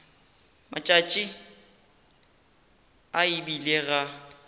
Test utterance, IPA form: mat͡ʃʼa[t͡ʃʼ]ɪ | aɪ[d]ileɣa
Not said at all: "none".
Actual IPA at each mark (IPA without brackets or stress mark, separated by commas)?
t͡ʃʼ, b